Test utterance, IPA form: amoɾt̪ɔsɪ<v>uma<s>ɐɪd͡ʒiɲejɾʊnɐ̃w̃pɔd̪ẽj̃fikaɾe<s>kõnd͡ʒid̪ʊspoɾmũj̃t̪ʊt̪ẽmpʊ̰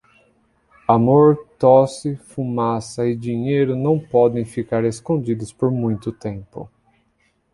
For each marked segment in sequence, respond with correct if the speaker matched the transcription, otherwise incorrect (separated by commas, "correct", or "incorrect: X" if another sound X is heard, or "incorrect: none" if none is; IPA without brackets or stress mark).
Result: incorrect: f, correct, correct